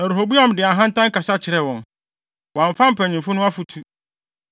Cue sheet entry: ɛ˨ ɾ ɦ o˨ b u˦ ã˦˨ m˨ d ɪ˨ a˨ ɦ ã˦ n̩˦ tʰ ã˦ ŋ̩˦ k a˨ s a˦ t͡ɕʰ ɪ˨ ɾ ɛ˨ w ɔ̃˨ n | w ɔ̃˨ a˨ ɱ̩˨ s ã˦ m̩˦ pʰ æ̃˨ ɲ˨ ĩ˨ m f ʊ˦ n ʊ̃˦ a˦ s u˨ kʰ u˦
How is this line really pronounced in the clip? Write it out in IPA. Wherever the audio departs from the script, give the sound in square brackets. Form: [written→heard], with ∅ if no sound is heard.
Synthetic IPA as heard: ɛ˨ ɾ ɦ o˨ b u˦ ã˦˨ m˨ d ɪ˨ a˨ ɦ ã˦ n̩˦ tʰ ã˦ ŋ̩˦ k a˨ s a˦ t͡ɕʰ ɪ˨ ɾ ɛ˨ w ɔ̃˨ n | w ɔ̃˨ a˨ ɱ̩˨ [s→f] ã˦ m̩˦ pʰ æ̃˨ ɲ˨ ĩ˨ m f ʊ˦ n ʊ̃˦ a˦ [s→f] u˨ [kʰ→tʰ] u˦